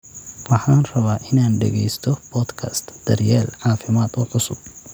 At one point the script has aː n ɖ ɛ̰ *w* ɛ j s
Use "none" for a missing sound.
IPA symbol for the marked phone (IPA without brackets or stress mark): ɣ